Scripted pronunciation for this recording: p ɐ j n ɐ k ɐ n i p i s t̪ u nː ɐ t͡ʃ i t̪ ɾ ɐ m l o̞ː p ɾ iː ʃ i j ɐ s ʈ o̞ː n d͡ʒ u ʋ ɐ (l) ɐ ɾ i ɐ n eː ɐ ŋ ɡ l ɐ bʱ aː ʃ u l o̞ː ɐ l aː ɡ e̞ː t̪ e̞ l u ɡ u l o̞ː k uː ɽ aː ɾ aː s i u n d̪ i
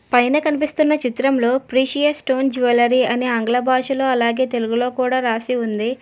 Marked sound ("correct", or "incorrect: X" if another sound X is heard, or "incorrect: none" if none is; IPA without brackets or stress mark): correct